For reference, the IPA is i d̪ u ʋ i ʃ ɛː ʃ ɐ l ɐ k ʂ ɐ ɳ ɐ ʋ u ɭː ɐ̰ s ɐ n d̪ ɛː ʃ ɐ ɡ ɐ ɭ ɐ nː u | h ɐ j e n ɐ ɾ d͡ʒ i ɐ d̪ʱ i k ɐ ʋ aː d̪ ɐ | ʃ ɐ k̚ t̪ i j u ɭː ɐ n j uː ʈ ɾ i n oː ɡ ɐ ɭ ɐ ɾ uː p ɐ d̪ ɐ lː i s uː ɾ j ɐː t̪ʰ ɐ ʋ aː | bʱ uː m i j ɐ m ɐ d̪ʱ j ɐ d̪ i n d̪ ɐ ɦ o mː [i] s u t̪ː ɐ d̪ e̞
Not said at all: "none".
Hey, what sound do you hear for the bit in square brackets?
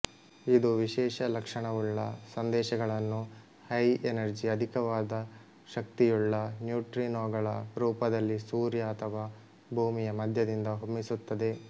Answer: i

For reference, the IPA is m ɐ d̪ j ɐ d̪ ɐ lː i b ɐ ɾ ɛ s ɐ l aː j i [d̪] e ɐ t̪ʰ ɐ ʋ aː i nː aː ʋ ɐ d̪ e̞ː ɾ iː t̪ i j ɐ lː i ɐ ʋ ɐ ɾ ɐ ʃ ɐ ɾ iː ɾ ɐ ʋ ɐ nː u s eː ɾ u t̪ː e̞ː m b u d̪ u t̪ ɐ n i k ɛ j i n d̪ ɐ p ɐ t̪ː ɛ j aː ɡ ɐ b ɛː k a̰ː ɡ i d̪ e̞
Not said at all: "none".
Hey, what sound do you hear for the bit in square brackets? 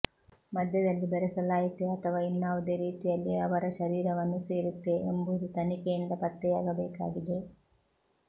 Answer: t̪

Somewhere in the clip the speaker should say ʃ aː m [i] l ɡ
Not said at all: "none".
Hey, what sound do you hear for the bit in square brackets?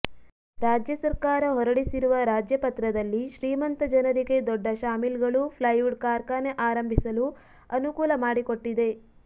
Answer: i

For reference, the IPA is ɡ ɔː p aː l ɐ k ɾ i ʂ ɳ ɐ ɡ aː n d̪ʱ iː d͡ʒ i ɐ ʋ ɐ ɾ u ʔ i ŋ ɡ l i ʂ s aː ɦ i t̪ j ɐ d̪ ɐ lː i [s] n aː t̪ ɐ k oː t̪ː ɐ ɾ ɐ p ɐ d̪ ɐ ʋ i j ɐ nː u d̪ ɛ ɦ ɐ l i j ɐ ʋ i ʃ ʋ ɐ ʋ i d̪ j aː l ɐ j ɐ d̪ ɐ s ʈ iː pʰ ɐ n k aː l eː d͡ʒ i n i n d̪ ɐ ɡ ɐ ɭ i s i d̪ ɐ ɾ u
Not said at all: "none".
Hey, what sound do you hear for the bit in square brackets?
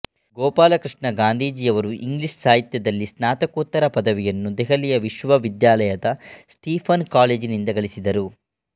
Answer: s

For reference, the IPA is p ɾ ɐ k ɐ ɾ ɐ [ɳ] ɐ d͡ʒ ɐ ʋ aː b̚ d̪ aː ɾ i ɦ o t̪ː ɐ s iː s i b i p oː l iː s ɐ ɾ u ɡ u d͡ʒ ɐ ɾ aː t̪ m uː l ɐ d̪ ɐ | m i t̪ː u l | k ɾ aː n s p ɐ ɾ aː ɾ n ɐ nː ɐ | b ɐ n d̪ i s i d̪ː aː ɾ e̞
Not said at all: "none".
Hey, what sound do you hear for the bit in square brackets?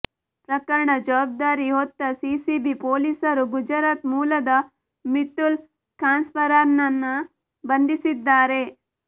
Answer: ɳ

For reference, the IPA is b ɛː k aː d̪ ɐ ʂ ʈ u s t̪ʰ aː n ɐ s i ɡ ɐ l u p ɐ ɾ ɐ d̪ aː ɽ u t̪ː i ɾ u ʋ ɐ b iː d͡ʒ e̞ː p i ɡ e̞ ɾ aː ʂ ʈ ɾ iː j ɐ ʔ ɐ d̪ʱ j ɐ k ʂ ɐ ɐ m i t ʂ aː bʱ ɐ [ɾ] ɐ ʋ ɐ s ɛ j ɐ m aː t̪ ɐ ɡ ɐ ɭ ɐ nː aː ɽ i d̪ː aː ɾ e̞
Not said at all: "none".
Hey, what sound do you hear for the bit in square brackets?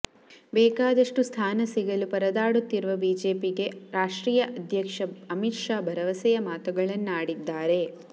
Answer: ɾ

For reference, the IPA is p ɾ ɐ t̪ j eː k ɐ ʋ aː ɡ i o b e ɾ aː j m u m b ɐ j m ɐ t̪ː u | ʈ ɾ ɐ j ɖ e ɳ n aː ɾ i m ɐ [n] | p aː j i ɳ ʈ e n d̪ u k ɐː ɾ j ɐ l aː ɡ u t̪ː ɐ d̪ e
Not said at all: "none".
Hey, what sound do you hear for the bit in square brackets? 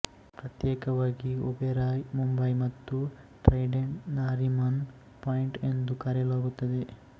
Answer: n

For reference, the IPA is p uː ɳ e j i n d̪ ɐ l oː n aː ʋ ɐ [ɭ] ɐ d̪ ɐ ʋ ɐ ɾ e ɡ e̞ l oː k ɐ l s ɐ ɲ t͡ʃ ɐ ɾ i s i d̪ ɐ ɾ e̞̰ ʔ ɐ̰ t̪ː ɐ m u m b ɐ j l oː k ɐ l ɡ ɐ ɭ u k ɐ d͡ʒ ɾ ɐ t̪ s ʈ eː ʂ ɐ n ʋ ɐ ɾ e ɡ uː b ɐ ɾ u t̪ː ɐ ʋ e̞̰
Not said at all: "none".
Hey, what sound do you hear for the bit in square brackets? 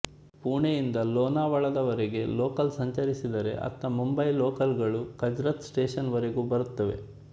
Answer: ɭ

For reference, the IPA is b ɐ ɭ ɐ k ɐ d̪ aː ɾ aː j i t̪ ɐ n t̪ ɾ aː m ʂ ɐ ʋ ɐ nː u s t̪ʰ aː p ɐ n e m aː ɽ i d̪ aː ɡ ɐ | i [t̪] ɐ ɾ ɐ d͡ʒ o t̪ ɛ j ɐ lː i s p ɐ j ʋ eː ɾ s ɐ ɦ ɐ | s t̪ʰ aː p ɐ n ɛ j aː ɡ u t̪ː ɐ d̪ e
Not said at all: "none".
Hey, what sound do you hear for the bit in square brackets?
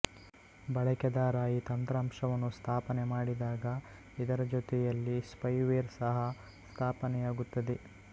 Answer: d̪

